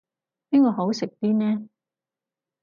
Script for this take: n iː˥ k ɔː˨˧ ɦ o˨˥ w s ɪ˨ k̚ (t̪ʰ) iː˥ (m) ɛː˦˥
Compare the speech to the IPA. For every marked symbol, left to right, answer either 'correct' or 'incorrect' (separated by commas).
incorrect, incorrect